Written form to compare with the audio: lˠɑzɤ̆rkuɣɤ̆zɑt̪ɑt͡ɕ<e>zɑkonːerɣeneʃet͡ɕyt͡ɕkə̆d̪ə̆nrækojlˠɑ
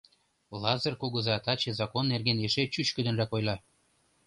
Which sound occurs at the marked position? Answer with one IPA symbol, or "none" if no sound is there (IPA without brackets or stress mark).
e